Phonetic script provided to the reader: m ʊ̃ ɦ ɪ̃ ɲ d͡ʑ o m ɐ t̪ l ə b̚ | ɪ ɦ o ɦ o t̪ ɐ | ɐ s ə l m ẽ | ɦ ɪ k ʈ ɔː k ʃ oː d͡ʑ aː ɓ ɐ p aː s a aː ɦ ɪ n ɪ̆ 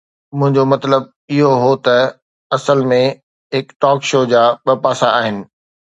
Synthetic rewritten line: m ʊ̃ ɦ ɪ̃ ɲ d͡ʑ o m ɐ t̪ l ə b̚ | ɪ ɦ o ɦ o t̪ ɐ | ɐ s ə l m ẽ | ɦ ɪ k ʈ ɔː k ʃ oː d͡ʑ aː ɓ ɐ p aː s a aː ɦ ɪ n ɪ̆